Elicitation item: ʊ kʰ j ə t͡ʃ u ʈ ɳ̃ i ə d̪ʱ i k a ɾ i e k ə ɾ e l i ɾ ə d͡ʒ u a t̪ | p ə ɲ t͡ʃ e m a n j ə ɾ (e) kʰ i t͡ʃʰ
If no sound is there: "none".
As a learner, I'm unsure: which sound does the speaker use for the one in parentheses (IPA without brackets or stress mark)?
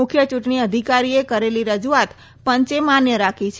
a